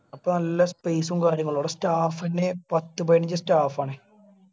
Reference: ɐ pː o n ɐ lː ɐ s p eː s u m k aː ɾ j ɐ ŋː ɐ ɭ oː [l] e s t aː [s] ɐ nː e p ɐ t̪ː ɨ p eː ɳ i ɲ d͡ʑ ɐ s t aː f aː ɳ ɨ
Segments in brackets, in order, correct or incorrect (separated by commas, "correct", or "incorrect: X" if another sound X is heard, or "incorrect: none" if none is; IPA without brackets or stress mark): incorrect: ɽ, incorrect: f